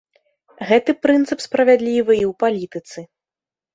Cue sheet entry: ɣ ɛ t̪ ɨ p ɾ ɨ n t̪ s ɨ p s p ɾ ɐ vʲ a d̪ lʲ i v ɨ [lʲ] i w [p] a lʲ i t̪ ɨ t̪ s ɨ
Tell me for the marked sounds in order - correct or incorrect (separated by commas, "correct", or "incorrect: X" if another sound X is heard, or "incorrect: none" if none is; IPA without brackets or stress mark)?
incorrect: none, correct